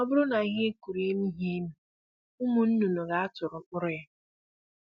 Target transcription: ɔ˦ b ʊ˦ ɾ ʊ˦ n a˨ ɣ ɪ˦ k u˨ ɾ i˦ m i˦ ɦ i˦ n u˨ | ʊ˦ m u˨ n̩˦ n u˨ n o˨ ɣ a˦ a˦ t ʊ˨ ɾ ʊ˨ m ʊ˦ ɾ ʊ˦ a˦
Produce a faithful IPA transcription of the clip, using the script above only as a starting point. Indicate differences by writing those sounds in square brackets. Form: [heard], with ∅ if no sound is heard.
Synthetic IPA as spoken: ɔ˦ b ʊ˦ ɾ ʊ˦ n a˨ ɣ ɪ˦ k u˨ ɾ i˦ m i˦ ɦ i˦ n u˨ | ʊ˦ m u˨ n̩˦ n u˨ n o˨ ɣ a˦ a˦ t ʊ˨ ɾ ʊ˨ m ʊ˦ ɾ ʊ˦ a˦